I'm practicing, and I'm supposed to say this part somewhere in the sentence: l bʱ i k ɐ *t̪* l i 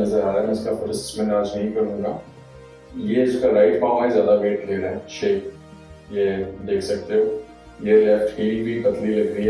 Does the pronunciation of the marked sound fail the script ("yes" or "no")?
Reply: no